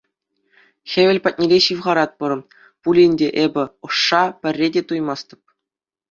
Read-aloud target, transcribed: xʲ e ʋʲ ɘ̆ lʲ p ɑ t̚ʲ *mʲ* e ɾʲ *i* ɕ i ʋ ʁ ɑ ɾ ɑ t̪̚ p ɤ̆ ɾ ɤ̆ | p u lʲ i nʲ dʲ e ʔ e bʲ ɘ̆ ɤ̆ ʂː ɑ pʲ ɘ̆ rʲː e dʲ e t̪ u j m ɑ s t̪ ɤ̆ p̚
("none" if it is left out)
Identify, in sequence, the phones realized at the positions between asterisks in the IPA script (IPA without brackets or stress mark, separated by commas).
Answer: nʲ, e